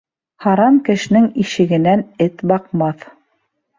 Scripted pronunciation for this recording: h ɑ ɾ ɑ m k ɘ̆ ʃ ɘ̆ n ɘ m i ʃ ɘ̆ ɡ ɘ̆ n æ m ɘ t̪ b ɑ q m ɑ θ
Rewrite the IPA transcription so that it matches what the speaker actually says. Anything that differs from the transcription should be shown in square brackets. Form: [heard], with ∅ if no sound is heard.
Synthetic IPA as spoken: h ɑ ɾ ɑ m k ɘ̆ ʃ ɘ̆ n ɘ [ŋ] i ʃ ɘ̆ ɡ ɘ̆ n æ [n] ɘ t̪ b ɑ q m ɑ θ